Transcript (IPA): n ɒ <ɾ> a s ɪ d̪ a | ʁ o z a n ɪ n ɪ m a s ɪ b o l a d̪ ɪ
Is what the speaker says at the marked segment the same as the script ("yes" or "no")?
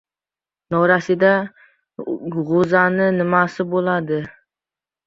yes